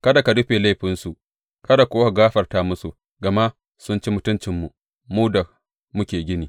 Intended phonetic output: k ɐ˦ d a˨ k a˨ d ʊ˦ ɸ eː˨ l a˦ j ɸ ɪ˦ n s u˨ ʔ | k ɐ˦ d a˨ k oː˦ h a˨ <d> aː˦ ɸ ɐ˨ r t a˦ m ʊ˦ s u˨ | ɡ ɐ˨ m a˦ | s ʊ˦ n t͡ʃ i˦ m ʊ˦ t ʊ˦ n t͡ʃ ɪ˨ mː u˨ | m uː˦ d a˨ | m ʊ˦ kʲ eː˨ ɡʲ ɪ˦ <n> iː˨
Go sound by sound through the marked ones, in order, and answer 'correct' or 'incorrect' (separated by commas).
incorrect, correct